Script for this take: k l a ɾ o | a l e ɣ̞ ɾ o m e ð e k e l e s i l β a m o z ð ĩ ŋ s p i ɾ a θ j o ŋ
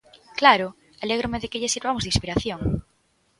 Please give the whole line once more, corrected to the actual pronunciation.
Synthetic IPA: k l a ɾ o | a l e ɣ̞ ɾ o m e ð e k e ʎ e s i ɾ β a m o z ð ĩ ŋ s p i ɾ a θ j o ŋ